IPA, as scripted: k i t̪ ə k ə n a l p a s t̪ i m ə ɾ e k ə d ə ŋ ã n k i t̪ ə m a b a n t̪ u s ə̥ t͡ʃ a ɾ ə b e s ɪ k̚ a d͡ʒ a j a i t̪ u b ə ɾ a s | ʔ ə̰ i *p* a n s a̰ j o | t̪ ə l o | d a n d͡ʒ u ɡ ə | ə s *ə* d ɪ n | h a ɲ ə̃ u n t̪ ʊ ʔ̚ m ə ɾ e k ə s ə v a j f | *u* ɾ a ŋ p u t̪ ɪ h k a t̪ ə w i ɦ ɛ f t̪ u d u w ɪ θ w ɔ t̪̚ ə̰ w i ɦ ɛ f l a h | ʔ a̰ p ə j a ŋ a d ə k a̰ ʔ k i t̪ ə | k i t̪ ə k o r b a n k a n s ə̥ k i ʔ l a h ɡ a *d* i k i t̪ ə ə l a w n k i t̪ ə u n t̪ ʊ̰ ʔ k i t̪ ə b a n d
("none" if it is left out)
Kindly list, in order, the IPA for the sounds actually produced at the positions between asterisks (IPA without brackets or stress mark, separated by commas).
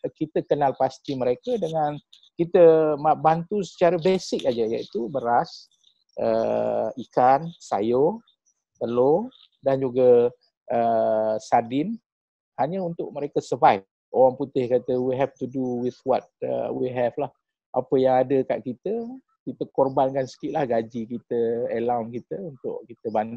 k, a, o, d͡ʒ